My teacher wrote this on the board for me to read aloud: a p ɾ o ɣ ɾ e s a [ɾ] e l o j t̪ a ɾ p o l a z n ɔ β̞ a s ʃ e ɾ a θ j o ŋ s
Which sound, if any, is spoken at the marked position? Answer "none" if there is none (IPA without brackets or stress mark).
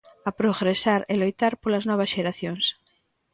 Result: ɾ